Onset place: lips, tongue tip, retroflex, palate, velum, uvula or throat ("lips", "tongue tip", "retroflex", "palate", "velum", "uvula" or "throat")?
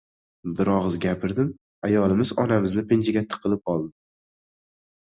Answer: lips